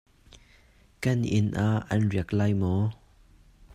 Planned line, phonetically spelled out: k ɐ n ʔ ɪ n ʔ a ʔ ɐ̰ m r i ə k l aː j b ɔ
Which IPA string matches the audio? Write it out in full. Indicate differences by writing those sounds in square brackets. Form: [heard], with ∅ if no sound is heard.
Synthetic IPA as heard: k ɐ n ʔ ɪ n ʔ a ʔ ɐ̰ [n] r i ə k l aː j [m] ɔ